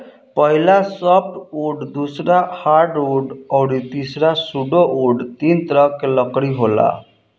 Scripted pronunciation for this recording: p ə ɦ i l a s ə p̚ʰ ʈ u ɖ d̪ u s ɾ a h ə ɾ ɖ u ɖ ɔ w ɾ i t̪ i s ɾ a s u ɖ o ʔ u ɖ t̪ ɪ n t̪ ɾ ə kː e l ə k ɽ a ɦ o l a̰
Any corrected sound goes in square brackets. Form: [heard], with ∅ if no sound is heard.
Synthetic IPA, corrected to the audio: p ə ɦ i l a s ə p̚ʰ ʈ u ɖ d̪ u s ɾ a h [a] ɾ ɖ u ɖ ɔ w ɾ i t̪ i s ɾ a s u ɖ o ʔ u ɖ t̪ [i] n t̪ ɾ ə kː e l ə k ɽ [i] ɦ o l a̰